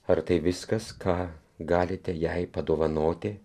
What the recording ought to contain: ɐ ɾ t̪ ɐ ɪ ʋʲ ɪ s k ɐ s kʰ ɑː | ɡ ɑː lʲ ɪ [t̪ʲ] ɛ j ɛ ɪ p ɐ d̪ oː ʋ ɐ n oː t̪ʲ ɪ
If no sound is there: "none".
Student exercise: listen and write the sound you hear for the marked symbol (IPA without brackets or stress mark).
t̪ʲ